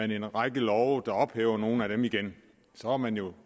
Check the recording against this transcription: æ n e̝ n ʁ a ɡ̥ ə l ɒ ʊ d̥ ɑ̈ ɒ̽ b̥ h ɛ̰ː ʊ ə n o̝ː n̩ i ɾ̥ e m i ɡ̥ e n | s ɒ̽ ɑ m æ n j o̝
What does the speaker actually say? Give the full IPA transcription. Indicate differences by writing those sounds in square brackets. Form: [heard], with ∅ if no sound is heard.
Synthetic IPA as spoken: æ n e̝ n ʁ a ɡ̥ ə l ɒ ʊ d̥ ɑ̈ ɒ̽ b̥ h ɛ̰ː ʊ [ɐ] n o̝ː n̩ [æ] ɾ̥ e m i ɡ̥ e n | s ɒ̽ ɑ m æ n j o̝